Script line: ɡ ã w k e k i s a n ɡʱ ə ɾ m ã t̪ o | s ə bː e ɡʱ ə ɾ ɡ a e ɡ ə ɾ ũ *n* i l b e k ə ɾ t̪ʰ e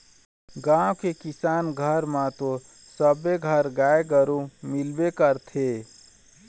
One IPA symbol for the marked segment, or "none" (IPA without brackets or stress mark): m